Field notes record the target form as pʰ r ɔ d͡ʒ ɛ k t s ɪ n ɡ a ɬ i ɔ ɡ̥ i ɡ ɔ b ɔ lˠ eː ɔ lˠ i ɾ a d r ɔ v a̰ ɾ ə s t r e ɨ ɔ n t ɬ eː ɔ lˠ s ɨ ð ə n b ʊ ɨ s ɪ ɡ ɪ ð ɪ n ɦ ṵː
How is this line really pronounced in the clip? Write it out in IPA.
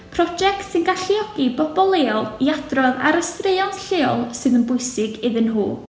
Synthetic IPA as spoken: pʰ r ɔ d͡ʒ ɛ k t s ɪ n ɡ a ɬ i ɔ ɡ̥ i b ɔ b ɔ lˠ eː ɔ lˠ i a d r ɔ ð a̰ ɾ ə s t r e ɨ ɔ n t ɬ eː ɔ lˠ s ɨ ð ə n b ʊ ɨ s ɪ ɡ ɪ ð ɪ n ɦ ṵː